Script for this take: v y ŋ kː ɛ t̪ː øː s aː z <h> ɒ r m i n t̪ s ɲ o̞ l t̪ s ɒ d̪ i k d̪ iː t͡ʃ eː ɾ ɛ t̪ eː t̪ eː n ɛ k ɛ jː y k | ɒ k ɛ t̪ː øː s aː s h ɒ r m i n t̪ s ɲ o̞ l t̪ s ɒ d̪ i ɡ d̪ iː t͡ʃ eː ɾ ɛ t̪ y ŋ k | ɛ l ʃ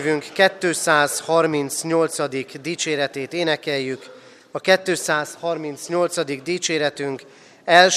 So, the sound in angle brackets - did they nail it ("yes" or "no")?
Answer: yes